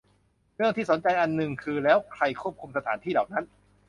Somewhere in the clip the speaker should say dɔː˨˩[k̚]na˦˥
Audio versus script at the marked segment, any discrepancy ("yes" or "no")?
no